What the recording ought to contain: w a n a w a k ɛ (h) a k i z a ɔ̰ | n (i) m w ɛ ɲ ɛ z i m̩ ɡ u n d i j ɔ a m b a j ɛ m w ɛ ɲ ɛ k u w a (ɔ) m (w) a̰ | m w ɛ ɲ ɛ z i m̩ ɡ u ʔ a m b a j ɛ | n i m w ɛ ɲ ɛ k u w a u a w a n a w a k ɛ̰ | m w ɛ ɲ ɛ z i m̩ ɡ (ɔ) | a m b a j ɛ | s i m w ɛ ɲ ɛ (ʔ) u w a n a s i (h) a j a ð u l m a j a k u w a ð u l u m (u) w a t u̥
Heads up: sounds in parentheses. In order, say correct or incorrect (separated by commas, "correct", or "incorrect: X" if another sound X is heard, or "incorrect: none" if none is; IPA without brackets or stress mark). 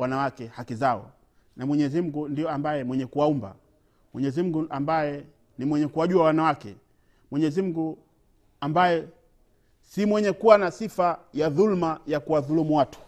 correct, incorrect: a, incorrect: u, incorrect: b, incorrect: u, incorrect: k, incorrect: f, correct